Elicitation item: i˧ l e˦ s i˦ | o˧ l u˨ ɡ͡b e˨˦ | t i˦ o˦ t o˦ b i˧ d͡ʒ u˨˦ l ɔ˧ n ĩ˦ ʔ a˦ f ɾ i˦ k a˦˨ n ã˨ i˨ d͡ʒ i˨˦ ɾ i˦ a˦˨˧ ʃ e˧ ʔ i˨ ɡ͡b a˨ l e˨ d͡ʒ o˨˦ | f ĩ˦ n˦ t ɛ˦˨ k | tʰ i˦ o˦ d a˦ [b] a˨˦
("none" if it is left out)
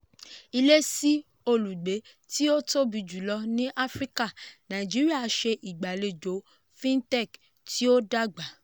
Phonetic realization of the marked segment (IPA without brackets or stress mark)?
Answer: ɡ͡b